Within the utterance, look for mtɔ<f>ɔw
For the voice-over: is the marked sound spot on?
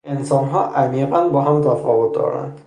yes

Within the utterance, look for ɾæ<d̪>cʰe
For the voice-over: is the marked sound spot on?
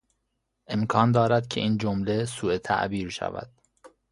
yes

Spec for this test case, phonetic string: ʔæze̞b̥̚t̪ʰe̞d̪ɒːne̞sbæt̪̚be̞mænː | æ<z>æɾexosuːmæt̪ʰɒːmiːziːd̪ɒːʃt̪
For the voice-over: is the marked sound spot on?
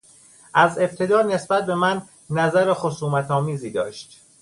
yes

